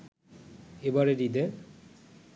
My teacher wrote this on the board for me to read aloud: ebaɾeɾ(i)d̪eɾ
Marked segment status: correct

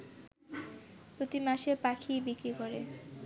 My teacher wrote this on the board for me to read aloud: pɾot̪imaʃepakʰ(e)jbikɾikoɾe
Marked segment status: incorrect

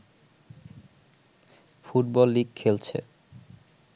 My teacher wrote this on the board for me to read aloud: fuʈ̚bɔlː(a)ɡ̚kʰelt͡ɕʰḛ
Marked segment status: incorrect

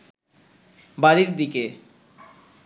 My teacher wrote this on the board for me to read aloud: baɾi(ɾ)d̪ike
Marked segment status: correct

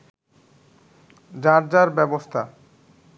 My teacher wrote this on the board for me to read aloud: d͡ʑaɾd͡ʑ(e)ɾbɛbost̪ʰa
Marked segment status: incorrect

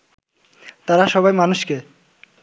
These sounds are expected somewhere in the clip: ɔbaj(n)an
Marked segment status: incorrect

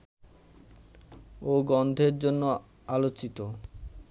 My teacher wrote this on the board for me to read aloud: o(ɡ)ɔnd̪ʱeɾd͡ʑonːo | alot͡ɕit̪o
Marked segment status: correct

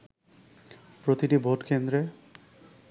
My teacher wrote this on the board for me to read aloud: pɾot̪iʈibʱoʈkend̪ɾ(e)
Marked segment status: correct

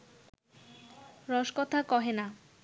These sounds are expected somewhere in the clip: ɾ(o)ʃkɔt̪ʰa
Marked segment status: incorrect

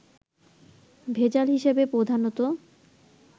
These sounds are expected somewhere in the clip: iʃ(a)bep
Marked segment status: incorrect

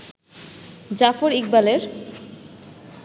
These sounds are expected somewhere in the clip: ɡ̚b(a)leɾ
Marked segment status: correct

